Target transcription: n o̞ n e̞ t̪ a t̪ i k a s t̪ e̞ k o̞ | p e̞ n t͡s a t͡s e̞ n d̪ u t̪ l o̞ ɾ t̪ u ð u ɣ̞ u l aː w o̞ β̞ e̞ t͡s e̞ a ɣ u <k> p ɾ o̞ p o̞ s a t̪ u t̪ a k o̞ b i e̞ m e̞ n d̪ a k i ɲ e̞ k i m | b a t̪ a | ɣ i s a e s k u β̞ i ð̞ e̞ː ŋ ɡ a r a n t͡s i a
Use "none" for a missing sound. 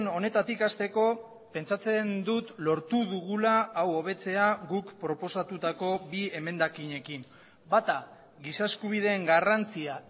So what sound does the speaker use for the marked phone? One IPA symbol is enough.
k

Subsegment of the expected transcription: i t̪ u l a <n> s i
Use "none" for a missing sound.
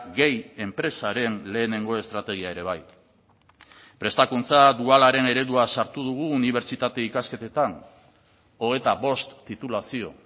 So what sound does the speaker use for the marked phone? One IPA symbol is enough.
none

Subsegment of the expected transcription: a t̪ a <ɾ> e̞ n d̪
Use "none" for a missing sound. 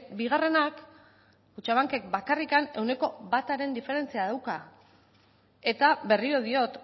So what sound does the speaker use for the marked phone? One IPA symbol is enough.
ɾ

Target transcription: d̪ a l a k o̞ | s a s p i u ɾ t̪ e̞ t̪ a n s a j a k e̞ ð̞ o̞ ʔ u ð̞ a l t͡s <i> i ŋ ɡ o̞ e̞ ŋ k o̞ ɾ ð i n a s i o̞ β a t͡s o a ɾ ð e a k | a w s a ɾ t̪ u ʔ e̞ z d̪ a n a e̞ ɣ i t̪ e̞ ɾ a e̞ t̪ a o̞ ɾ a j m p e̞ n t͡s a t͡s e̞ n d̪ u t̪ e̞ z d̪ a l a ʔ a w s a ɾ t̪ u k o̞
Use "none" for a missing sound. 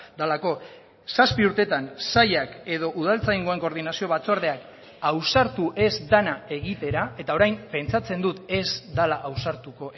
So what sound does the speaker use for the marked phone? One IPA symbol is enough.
a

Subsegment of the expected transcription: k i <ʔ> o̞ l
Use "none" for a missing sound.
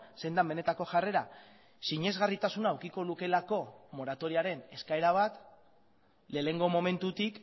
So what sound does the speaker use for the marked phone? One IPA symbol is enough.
k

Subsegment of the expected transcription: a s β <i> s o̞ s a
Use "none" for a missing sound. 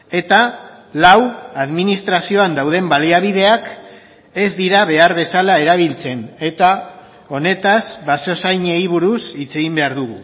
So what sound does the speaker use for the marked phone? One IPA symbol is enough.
a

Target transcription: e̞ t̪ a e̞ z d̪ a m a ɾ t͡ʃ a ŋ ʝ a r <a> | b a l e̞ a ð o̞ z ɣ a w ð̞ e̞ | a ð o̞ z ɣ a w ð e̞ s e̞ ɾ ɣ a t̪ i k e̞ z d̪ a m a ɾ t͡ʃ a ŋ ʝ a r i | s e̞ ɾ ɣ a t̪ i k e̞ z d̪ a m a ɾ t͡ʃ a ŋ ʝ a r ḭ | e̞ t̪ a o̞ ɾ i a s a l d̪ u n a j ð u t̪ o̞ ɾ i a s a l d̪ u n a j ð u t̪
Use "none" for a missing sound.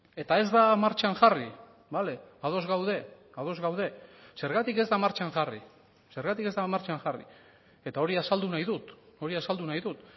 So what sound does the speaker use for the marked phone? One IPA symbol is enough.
i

